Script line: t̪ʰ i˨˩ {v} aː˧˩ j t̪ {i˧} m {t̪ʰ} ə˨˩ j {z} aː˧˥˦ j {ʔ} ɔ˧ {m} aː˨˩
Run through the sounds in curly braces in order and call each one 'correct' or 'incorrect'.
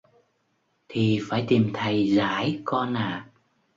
incorrect: f, incorrect: i˨˩, correct, correct, incorrect: k, incorrect: n

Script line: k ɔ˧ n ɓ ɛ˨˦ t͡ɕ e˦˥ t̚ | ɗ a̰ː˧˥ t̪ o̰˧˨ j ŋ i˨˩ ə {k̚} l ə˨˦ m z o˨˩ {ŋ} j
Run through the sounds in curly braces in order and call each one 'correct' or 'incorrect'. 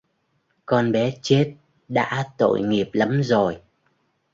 incorrect: p̚, incorrect: none

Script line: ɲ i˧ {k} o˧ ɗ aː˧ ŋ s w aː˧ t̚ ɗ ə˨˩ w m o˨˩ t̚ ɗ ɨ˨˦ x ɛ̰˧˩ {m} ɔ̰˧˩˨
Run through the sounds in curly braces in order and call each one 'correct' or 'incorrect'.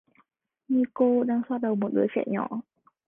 correct, incorrect: ɲ

